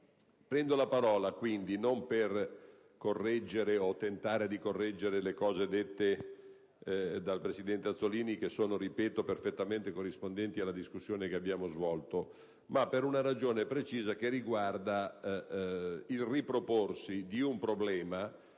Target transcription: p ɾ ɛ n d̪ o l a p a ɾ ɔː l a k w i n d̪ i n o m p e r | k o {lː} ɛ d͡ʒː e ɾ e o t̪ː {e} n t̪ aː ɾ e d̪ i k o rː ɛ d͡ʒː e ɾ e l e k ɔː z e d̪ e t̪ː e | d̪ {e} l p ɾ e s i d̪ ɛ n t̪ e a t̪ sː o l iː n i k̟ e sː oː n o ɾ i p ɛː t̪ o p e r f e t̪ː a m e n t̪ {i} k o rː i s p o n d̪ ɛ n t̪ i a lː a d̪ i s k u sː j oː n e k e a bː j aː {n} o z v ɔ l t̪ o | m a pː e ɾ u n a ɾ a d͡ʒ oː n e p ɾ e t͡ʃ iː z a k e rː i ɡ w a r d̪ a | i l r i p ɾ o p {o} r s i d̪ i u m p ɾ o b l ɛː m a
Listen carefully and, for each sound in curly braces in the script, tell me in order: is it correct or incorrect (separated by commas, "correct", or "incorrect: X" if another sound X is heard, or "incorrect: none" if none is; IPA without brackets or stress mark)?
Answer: incorrect: rː, correct, incorrect: a, incorrect: e, incorrect: m, correct